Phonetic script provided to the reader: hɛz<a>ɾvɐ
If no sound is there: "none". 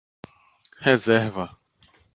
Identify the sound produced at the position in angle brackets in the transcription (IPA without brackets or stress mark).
ɛ